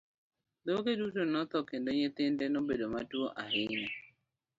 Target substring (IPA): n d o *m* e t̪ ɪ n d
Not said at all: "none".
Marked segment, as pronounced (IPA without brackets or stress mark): ɲ